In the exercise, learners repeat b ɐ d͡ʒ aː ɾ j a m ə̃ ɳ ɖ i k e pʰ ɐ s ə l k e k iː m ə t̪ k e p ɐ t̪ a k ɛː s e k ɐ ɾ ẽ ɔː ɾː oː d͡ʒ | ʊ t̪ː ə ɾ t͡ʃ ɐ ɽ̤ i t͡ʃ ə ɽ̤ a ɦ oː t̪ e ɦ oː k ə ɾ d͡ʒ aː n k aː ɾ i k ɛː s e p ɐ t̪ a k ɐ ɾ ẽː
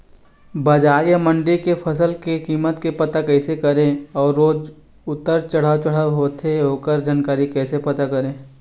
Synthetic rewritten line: b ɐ d͡ʒ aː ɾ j a m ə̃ ɳ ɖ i k e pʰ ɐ s ə l k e k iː m ə t̪ k e p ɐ t̪ a k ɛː s e k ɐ ɾ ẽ ɔː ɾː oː d͡ʒ | ʊ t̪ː ə ɾ t͡ʃ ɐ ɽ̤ a t͡ʃ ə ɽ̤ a ɦ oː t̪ e ɦ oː k ə ɾ d͡ʒ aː n k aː ɾ i k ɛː s e p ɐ t̪ a k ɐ ɾ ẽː